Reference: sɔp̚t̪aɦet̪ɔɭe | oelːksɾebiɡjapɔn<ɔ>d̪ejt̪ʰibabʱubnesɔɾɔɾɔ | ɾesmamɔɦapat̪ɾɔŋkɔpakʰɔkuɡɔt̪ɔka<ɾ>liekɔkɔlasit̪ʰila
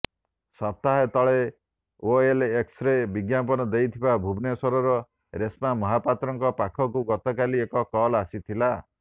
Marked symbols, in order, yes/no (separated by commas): yes, no